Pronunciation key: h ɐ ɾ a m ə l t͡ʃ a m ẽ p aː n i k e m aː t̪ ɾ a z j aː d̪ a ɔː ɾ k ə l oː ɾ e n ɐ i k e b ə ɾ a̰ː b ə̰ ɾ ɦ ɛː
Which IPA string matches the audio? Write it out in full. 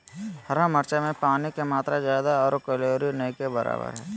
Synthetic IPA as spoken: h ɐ ɾ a m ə ɾ t͡ʃ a m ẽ p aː n i k e m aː t̪ ɾ a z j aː d̪ a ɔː ɾ k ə l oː ɾ i n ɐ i k e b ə ɾ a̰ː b ə̰ ɾ ɦ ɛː